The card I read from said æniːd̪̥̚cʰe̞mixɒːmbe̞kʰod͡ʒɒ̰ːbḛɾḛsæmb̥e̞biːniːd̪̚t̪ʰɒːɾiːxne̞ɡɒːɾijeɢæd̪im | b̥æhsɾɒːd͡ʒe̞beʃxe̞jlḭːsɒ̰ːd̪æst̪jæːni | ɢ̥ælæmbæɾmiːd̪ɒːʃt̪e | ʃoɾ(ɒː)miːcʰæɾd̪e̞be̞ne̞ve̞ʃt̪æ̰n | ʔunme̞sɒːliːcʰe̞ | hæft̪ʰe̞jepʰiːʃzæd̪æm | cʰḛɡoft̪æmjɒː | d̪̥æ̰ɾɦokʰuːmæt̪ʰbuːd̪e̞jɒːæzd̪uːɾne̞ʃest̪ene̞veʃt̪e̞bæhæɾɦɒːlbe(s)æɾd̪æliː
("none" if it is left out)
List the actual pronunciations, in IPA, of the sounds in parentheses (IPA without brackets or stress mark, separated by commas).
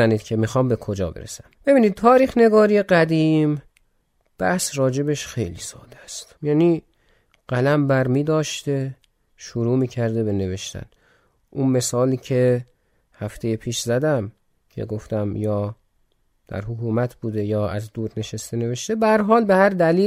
uː, h